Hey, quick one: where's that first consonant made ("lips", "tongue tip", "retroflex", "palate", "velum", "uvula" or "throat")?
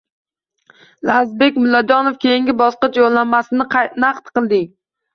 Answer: tongue tip